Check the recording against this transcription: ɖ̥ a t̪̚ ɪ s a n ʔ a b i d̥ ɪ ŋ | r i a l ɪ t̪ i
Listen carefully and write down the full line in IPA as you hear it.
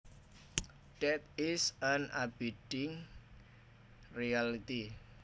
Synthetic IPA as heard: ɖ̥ ɛ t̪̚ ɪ s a n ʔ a b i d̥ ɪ ŋ | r i a l i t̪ i